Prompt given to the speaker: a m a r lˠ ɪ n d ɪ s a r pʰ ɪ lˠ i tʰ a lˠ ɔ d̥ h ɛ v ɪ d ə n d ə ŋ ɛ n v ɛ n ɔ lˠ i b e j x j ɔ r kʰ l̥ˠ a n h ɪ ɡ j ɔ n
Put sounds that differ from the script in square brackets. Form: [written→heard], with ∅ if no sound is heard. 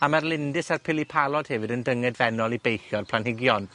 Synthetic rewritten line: a m a r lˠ ɪ n d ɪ s a r pʰ ɪ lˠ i [tʰ→pʰ] a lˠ ɔ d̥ h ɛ v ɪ d ə n d ə ŋ ɛ [n→d] v ɛ n ɔ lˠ i b e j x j ɔ r [kʰ→pʰ] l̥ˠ a n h ɪ ɡ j ɔ n